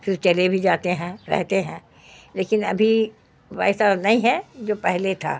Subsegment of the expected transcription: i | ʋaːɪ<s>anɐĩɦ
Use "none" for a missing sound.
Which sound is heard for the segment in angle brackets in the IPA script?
s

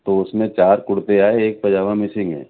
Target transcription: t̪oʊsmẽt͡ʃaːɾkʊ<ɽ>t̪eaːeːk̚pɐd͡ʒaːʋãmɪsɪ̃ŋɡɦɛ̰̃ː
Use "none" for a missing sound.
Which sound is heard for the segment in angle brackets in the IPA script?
ɽ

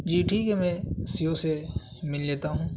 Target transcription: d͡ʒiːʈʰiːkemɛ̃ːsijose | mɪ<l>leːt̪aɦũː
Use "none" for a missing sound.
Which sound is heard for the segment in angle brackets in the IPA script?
l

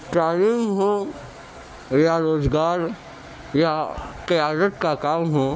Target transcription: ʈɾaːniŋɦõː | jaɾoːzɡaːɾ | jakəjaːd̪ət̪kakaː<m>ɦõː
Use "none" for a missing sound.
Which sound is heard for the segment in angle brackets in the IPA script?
m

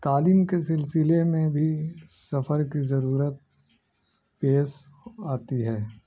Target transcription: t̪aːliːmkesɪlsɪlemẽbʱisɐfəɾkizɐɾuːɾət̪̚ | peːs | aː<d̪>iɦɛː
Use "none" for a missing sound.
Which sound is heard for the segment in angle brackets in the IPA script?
t̪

